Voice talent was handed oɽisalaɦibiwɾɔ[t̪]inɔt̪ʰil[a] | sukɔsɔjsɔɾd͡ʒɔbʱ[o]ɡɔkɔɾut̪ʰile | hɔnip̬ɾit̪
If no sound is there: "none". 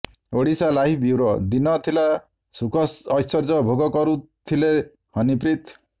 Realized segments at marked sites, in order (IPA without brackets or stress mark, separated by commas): d̪, a, o